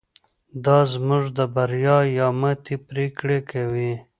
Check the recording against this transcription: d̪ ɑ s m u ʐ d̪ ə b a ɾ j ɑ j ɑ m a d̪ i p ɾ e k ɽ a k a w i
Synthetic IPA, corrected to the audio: d̪ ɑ z m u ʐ d̪ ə b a ɾ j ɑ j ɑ m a t̪ i p ɾ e k ɽ e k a w i